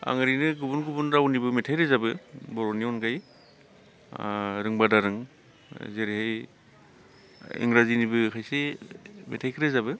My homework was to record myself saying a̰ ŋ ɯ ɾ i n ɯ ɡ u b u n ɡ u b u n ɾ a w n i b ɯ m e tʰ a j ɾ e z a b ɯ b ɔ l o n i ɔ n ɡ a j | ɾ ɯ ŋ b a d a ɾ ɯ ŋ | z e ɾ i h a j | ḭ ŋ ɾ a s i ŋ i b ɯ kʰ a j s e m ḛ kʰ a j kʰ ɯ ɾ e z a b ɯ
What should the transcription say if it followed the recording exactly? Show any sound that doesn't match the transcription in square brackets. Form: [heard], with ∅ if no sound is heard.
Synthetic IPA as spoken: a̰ ŋ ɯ ɾ i n ɯ ɡ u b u n ɡ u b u n ɾ a w n i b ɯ m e tʰ a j ɾ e z a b ɯ b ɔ [ɾ] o n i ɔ n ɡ a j | ɾ ɯ ŋ b a d a ɾ ɯ ŋ | z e ɾ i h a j | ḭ ŋ ɾ a [z] i [n] i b ɯ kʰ a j s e m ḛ [tʰ] a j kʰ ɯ ɾ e z a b ɯ